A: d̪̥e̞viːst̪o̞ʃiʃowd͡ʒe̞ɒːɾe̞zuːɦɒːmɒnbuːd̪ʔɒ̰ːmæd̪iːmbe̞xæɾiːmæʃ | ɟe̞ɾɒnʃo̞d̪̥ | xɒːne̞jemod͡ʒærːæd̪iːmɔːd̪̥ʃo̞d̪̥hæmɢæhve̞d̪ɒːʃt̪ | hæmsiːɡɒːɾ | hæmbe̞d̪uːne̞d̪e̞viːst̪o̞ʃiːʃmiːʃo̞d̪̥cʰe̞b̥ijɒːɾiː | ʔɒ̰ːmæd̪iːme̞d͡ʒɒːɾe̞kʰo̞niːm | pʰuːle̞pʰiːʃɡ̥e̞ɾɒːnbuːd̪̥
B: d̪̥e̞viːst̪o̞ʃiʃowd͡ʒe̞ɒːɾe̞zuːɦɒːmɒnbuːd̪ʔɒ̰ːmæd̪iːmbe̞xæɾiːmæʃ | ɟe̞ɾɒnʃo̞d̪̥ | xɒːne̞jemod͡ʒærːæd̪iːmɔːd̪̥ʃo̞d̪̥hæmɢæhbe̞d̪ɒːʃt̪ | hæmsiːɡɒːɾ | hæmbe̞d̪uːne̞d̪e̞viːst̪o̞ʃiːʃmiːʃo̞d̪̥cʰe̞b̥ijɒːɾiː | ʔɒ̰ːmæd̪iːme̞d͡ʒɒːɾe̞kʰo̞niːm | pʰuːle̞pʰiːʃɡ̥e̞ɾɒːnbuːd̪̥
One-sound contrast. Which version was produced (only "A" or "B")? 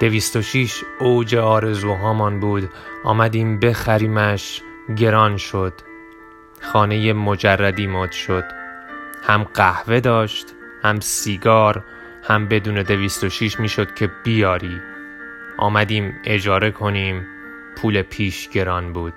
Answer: A